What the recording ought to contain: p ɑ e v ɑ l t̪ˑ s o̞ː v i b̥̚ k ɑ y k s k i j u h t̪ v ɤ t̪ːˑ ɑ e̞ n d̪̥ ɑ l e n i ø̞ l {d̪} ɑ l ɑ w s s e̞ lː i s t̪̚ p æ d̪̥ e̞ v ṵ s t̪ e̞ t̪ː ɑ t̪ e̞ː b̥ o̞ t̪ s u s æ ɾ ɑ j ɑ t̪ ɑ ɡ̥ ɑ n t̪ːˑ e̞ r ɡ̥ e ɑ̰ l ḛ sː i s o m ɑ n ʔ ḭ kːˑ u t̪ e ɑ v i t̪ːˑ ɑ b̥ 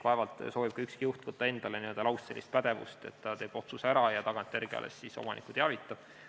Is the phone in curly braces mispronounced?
no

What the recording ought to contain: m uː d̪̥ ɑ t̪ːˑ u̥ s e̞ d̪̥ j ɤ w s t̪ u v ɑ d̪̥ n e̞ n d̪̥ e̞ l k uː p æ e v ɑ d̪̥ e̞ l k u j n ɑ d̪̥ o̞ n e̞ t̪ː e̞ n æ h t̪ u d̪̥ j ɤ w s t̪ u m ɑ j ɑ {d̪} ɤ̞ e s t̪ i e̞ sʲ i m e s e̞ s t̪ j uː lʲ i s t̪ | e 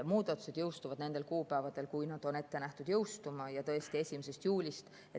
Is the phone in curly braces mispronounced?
yes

